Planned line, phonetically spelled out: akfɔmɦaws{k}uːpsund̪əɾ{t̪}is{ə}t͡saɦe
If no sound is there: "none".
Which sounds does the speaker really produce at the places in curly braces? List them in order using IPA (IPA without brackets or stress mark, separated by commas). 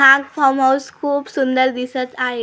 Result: kʰ, d̪, ə